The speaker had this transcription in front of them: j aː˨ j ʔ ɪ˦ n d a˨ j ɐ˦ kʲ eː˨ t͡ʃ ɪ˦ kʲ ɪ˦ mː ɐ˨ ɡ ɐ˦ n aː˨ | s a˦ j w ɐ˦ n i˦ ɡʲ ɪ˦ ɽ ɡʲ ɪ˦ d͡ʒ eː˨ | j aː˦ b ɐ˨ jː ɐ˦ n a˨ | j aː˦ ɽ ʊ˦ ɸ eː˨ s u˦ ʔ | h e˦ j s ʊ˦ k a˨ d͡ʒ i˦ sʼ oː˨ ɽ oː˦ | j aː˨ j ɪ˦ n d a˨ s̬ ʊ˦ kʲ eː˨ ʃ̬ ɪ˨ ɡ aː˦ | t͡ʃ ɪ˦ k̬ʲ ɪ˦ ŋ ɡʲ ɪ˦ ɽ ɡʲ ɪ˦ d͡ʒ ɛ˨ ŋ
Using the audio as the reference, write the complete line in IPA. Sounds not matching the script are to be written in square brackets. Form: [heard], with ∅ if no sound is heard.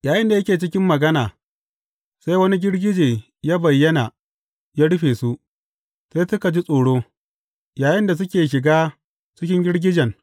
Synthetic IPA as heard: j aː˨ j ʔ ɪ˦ n d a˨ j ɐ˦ kʲ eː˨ t͡ʃ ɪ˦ kʲ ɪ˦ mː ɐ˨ ɡ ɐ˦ n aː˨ | s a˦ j w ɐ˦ n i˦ ɡʲ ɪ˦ ɽ ɡʲ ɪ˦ d͡ʒ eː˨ | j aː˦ b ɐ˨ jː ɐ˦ n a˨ | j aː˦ ɽ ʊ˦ ɸ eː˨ s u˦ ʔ | [s] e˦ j s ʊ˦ k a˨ d͡ʒ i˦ sʼ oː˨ ɽ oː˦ | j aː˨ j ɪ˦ n d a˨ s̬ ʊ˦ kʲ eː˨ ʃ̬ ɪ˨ ɡ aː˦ | t͡ʃ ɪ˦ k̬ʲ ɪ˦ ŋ ɡʲ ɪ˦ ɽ ɡʲ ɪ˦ d͡ʒ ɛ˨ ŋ